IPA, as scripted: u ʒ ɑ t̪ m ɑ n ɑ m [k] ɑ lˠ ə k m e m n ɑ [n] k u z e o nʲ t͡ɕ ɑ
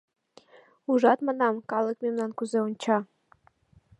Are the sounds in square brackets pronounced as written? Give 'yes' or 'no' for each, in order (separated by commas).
yes, yes